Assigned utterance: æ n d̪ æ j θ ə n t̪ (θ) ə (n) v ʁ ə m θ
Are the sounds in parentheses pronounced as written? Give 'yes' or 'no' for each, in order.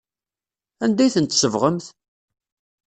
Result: no, no

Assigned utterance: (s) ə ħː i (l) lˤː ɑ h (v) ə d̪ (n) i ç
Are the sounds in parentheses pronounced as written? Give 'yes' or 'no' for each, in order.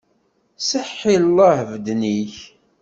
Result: yes, yes, yes, yes

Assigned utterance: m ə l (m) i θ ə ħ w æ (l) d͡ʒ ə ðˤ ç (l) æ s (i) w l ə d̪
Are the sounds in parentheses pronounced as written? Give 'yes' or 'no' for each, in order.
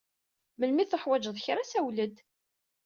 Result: yes, no, no, no

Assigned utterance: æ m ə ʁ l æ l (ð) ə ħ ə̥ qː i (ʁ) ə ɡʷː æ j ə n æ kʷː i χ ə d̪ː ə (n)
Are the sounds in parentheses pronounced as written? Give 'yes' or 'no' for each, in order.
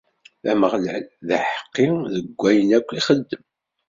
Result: yes, no, no

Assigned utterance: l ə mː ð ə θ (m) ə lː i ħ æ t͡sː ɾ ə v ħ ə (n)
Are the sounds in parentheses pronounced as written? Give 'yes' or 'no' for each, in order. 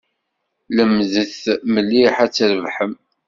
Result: yes, no

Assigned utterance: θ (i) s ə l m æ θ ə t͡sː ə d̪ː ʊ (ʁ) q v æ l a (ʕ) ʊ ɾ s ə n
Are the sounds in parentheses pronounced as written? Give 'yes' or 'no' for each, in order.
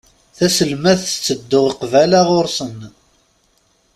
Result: no, yes, no

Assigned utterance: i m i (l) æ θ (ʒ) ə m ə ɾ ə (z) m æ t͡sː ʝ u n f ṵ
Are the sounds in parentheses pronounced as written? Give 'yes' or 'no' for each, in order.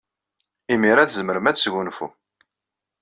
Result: no, no, no

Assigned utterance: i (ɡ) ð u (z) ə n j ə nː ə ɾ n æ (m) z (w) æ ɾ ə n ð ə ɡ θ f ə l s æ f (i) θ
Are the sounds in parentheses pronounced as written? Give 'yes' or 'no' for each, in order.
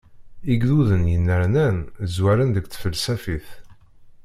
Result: yes, no, no, yes, yes

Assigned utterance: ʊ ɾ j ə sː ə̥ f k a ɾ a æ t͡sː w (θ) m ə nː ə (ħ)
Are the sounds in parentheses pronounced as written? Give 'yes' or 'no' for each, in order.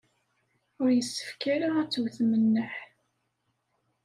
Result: yes, yes

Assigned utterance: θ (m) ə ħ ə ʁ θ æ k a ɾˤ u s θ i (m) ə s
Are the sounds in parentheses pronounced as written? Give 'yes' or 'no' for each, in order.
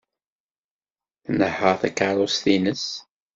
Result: no, no

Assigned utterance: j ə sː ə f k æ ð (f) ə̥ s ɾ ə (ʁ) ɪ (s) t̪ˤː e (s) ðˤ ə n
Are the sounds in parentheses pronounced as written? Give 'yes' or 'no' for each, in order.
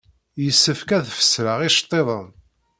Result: yes, yes, no, no

